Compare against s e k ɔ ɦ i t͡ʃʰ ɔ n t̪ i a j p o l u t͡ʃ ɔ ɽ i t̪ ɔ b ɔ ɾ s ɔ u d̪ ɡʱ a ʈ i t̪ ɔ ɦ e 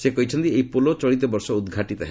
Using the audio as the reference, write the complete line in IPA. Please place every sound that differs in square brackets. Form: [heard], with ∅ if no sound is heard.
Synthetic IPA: s e k ɔ ɦ i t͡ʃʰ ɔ n t̪ i [e] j p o l [o] t͡ʃ ɔ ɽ i t̪ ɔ b ɔ ɾ s ɔ u d̪ ɡʱ a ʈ i t̪ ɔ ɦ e